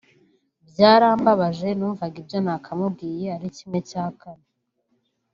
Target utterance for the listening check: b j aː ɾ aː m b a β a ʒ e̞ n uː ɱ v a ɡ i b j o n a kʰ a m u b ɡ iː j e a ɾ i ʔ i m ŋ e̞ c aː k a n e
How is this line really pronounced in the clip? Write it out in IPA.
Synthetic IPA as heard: b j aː ɾ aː m b a β a ʒ e̞ n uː ɱ v a ɡ i b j o n a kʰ a m u b ɡ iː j e a ɾ i c i m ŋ e̞ c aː k a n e